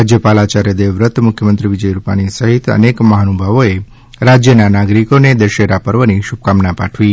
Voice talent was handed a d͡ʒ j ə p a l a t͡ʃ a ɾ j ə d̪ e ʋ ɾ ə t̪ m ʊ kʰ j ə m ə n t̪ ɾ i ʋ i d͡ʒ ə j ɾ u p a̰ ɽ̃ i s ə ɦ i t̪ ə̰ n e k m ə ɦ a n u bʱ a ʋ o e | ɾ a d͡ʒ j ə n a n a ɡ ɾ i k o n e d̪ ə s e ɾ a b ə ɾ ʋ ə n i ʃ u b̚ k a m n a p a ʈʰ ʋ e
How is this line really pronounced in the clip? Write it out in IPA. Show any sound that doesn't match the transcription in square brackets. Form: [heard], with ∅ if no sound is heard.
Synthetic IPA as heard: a d͡ʒ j ə p a l a t͡ʃ a ɾ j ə d̪ e ʋ ɾ ə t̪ m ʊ kʰ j ə m ə n t̪ ɾ i ʋ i d͡ʒ ə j ɾ u p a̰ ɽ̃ i s ə ɦ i t̪ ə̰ n e k m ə ɦ a n u bʱ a ʋ o e | ɾ a d͡ʒ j ə n a n a ɡ ɾ i k o n e d̪ ə [ʃ] e ɾ a [p] ə ɾ ʋ ə n i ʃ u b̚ k a m n a p a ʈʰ ʋ [i]